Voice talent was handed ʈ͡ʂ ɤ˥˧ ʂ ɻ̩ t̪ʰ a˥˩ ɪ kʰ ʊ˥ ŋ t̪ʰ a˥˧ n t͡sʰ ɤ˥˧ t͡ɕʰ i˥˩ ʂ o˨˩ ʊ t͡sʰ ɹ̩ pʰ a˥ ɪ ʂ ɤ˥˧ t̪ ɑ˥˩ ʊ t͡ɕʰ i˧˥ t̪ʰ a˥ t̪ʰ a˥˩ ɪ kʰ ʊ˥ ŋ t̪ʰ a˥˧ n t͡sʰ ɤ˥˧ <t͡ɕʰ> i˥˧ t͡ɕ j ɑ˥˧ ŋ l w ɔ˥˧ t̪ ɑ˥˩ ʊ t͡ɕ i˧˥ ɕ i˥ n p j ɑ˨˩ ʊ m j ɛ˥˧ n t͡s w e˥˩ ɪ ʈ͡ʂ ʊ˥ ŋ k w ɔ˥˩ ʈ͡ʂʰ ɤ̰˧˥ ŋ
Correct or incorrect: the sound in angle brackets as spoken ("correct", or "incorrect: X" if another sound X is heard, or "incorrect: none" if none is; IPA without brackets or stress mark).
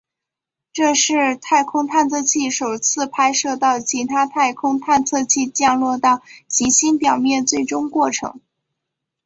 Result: correct